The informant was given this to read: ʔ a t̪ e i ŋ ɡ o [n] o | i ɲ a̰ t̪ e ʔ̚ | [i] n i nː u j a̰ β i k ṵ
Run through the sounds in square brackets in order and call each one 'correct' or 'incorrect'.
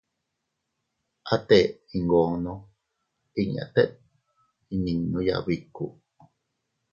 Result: correct, correct

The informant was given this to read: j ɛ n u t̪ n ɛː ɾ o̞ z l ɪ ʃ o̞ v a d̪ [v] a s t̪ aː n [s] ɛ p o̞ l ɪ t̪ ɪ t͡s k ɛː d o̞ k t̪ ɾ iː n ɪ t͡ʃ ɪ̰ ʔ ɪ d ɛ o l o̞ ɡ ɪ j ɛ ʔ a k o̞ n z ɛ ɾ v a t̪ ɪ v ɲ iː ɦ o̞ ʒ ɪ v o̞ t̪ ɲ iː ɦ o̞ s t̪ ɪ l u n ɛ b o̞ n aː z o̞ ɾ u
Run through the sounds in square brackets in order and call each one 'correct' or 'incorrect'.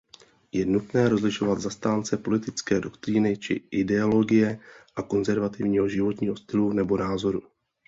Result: incorrect: z, incorrect: t͡s

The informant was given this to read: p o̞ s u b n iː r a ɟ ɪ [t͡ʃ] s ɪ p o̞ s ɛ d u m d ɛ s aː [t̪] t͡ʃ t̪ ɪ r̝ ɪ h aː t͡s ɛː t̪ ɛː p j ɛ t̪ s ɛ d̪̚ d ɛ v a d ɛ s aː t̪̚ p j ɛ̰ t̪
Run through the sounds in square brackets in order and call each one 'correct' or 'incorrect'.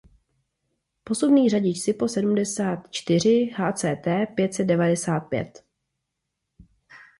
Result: correct, correct

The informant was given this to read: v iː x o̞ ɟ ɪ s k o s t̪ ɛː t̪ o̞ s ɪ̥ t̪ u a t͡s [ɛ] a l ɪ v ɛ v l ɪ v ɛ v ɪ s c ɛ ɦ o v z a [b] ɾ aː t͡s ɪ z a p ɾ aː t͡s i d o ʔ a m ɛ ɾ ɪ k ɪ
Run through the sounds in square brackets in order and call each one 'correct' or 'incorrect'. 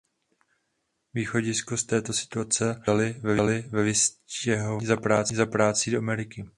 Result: correct, incorrect: p

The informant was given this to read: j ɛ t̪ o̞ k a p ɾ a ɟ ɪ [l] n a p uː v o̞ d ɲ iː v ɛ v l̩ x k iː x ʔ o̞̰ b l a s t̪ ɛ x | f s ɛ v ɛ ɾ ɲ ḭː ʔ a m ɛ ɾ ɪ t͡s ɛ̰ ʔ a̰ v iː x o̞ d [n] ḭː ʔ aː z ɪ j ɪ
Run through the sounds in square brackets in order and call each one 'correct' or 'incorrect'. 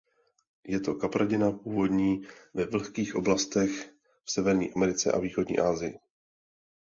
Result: incorrect: none, incorrect: ɲ

